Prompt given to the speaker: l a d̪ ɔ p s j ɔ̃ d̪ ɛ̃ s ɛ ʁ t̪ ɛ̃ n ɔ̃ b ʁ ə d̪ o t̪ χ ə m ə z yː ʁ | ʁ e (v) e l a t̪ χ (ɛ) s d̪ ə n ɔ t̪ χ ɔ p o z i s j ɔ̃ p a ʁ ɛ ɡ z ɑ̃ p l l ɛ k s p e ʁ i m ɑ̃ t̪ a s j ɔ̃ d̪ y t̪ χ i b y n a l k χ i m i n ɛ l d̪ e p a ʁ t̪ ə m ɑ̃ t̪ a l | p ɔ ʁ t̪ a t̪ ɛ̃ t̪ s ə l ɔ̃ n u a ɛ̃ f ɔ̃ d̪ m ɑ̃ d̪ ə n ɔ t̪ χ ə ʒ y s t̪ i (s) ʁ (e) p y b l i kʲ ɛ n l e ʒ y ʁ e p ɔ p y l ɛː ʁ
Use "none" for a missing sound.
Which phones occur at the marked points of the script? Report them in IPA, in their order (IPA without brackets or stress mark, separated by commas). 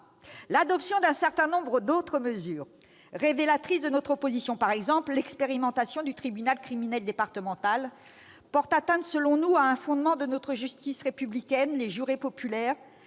v, i, s, e